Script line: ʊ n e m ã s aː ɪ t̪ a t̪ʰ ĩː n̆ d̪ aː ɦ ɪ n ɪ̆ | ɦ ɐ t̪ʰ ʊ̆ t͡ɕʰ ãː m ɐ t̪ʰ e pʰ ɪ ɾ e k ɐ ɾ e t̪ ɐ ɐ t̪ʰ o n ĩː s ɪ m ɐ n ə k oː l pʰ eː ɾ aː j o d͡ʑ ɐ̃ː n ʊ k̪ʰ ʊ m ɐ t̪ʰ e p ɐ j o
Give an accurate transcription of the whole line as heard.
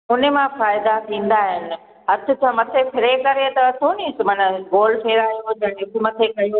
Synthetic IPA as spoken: ʊ n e m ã f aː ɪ d̪ a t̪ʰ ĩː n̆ d̪ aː ɦ ɪ n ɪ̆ | ɦ ɐ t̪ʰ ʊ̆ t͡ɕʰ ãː m ɐ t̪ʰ e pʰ ɪ ɾ e k ɐ ɾ e t̪ ɐ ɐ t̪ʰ o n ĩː s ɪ m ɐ n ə ɡ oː l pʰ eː ɾ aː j o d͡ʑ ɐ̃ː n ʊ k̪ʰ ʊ m ɐ t̪ʰ e k ɐ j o